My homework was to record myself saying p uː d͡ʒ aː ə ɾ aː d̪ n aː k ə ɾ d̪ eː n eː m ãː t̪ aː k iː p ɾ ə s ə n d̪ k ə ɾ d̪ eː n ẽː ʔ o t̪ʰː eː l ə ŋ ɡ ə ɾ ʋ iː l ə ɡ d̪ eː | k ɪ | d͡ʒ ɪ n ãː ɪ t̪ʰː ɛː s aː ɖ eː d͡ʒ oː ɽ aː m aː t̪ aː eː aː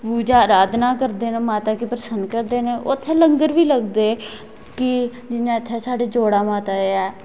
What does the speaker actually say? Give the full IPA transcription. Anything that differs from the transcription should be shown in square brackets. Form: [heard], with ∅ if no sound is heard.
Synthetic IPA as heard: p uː d͡ʒ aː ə ɾ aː d̪ n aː k ə ɾ d̪ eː n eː m [aː] t̪ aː k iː p ɾ ə s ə n d̪ k ə ɾ d̪ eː n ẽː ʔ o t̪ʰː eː l ə ŋ ɡ ə ɾ ʋ iː l ə ɡ d̪ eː | k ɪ | d͡ʒ ɪ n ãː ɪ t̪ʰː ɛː s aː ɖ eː d͡ʒ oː ɽ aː m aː t̪ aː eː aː

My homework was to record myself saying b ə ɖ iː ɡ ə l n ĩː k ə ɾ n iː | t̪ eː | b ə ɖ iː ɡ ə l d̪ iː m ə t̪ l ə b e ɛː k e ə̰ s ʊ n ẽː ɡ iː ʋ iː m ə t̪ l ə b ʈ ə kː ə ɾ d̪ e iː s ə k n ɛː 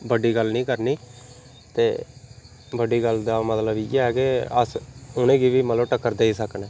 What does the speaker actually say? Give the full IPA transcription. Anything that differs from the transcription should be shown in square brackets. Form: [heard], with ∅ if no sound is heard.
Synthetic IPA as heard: b ə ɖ iː ɡ ə l n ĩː k ə ɾ n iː | t̪ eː | b ə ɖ iː ɡ ə l d̪ [aː] m ə t̪ l ə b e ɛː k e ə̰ s ʊ n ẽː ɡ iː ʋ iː m ə t̪ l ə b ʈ ə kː ə ɾ d̪ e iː s ə k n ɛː

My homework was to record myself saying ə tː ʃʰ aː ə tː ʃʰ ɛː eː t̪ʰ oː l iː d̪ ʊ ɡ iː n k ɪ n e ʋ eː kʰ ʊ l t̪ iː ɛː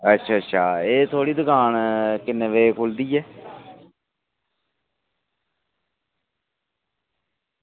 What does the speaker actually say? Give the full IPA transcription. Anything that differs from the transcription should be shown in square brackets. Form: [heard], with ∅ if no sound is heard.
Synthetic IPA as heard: ə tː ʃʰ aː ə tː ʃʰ [aː] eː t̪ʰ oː [ɽ] iː d̪ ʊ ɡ [aː] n k ɪ n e ʋ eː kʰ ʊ l [d̪] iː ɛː

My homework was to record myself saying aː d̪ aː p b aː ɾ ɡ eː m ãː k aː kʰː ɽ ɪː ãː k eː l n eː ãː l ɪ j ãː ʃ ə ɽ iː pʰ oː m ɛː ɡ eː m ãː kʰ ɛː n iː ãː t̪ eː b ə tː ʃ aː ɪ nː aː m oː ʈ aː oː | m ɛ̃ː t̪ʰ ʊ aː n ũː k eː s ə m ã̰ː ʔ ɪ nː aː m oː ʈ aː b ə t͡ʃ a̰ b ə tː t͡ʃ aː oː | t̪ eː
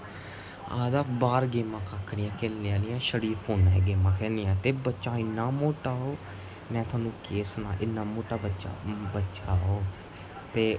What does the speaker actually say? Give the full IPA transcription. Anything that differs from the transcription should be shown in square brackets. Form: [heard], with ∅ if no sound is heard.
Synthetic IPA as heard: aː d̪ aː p b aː ɾ ɡ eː m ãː k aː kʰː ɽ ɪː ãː k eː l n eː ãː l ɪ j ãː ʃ ə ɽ iː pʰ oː [n] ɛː ɡ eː m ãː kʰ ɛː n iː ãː t̪ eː b ə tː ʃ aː ɪ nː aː m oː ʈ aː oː | m ɛ̃ː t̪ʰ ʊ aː n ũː k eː s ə [n] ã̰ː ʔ ɪ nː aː m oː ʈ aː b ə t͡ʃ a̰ b ə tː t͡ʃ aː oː | t̪ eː

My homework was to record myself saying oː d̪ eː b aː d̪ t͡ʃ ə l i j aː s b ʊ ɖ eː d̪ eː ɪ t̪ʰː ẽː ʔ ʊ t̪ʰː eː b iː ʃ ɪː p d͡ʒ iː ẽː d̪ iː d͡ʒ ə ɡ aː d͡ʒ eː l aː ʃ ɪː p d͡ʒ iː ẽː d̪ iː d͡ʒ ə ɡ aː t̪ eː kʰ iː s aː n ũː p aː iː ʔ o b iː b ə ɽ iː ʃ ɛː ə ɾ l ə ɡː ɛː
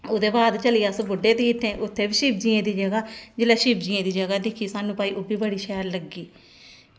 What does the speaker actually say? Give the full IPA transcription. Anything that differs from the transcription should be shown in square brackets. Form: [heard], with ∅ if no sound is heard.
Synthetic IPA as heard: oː d̪ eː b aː d̪ t͡ʃ ə l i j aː s b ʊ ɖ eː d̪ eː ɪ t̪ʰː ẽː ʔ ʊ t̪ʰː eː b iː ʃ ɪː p d͡ʒ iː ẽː d̪ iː d͡ʒ ə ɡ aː d͡ʒ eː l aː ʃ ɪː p d͡ʒ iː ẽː d̪ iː d͡ʒ ə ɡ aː [d̪] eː kʰ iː s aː n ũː p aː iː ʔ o b iː b ə ɽ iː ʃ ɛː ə ɾ l ə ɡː [iː]

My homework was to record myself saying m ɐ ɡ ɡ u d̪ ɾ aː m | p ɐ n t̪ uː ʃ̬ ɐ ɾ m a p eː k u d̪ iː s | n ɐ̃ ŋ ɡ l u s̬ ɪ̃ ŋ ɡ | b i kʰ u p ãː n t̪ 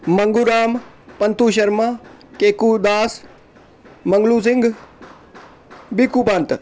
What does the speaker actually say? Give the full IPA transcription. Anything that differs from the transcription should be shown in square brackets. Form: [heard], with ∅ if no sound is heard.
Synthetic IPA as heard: m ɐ [ŋ] ɡ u [∅] ɾ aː m | p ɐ n t̪ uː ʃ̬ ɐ ɾ m a [k] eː k u d̪ [aː] s | [m] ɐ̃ ŋ ɡ l u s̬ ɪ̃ ŋ ɡ | b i [k] u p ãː n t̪

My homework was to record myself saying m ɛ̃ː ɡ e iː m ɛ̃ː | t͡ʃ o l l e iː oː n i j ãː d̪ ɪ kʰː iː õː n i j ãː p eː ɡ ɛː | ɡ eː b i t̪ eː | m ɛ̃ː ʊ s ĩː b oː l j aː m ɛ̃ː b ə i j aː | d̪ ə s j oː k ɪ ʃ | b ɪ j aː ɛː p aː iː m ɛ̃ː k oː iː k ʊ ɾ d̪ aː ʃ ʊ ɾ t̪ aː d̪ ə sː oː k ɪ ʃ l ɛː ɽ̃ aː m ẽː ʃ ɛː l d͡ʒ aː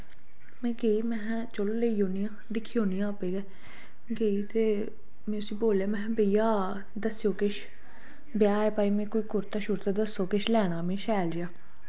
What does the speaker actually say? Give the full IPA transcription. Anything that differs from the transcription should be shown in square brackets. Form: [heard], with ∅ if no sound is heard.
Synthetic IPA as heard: m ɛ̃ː ɡ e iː m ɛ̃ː | t͡ʃ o l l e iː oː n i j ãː d̪ ɪ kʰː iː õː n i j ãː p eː ɡ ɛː | ɡ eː [∅] i t̪ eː | m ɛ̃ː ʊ s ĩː b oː l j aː m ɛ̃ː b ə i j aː | d̪ ə s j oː k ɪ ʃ | b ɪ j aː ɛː p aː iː m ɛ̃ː k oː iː k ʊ ɾ [t̪] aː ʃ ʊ ɾ t̪ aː d̪ ə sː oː k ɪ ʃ l ɛː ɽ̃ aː m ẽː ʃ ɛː l d͡ʒ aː

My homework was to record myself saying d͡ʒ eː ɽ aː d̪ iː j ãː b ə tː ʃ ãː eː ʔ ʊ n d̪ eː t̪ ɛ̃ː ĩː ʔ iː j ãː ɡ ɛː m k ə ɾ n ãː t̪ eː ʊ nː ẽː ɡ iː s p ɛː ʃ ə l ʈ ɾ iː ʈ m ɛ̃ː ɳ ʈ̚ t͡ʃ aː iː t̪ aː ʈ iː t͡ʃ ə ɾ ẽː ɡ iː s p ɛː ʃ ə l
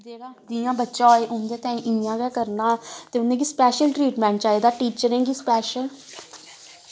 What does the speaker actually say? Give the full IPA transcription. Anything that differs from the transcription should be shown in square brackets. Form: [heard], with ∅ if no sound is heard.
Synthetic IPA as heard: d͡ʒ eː ɽ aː d̪ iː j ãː b ə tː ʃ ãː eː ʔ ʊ n d̪ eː t̪ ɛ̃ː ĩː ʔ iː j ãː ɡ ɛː [∅] k ə ɾ n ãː t̪ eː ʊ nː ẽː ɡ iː s p ɛː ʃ ə l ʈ ɾ iː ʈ m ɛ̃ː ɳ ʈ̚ t͡ʃ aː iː [d̪] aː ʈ iː t͡ʃ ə ɾ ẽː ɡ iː s p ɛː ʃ ə l

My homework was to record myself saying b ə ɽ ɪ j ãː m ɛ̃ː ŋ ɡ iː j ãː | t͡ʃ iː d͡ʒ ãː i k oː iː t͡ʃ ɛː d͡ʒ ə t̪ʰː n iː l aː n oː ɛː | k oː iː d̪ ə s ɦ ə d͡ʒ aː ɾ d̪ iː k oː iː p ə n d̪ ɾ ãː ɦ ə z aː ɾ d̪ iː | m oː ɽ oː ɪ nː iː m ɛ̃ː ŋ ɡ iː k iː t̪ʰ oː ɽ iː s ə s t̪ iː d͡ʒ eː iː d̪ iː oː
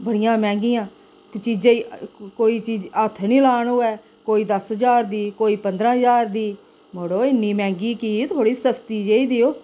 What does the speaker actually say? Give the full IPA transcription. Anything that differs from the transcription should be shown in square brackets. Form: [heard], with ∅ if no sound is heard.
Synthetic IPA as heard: b ə ɽ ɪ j ãː m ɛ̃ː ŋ ɡ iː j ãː | t͡ʃ iː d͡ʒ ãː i k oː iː t͡ʃ [iː] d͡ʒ ə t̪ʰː n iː l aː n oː ɛː | k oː iː d̪ ə s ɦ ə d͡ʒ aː ɾ d̪ iː k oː iː p ə n d̪ ɾ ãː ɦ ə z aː ɾ d̪ iː | m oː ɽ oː ɪ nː iː m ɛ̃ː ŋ ɡ iː k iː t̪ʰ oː ɽ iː s ə s t̪ iː d͡ʒ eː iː d̪ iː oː

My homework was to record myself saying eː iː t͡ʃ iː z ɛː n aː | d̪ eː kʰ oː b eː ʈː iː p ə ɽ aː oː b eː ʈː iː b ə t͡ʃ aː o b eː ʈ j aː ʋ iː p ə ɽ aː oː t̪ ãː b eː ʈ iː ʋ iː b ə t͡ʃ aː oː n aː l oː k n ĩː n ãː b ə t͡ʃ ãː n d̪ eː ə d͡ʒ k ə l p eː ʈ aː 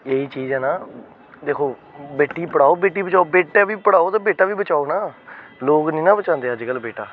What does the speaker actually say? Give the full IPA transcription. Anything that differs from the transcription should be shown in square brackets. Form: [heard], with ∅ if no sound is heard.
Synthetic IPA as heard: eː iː t͡ʃ iː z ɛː n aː | d̪ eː kʰ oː b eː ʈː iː p ə ɽ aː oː b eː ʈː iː b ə t͡ʃ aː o b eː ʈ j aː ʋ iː p ə ɽ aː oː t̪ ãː b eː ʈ [aː] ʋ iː b ə t͡ʃ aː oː n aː l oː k n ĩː n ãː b ə t͡ʃ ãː n d̪ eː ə d͡ʒ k ə l [b] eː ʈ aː

